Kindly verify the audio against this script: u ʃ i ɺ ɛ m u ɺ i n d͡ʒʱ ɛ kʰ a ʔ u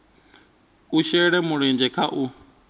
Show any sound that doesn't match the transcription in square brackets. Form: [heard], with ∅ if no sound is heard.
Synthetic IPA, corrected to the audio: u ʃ [ɛ] ɺ ɛ m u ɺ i n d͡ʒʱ ɛ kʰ a ʔ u